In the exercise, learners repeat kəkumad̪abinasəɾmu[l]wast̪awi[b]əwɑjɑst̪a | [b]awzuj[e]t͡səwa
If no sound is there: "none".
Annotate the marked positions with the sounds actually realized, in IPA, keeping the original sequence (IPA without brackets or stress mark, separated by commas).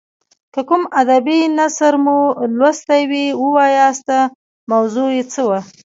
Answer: l, w, m, e